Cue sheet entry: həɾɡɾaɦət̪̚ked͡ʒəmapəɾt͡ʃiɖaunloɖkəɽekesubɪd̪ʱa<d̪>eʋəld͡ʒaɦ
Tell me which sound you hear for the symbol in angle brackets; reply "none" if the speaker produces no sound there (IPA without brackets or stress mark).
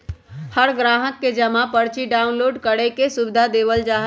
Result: d̪